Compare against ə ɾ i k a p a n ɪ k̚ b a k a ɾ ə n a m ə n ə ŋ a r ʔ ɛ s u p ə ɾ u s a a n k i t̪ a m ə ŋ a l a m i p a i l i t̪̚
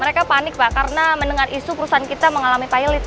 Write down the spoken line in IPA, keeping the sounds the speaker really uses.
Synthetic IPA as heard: ə ɾ e k a p a n ɪ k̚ b a k a ɾ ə n a m ə n ə ŋ a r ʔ i s u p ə ɾ u s a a n k i t̪ a m ə ŋ a l a m i p a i l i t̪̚

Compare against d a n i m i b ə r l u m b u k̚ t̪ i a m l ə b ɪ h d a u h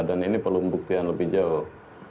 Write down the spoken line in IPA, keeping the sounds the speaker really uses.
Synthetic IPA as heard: d a n i n i p ə r l u m b u k̚ t̪ i a n l ə b ɪ h d͡ʒ a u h

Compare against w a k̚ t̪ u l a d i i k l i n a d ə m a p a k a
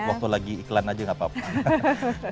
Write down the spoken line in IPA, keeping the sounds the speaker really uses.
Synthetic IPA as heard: w a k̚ t̪ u l a ɡ i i k l a n a d͡ʒ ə ŋ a p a p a

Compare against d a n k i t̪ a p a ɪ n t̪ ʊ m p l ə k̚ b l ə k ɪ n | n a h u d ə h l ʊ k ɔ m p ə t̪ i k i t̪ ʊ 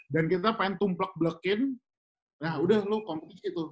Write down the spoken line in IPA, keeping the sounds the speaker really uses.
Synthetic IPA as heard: d a n k i t̪ a p a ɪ n t̪ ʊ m p l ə k̚ b l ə k ɪ n | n a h u d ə h l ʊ k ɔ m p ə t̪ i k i t̪ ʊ

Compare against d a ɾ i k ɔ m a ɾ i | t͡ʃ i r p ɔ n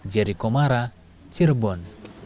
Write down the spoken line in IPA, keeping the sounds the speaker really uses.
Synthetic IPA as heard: d͡ʒ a ɾ i k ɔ m a ɾ a | t͡ʃ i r b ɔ n

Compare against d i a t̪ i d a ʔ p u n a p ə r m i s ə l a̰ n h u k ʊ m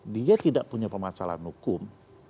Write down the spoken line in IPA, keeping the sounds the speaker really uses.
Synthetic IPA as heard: d i a t̪ i d a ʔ p u ɲ a p ə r m a s a l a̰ n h u k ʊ m

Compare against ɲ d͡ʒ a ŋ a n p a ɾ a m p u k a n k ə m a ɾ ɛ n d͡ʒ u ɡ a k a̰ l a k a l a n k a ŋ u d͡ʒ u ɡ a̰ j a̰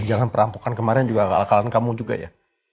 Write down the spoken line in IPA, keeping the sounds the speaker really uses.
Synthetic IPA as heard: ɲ d͡ʒ a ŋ a n p ə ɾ a m p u k a n k ə m a ɾ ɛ n d͡ʒ u ɡ a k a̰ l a k a l a n k a m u d͡ʒ u ɡ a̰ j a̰

